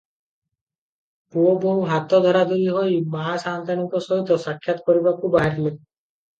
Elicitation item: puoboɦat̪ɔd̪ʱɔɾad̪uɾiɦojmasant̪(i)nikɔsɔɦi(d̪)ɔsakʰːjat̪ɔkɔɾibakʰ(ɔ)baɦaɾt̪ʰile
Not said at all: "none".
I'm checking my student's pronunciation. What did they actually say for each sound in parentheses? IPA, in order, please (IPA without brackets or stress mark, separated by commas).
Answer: a, t̪, u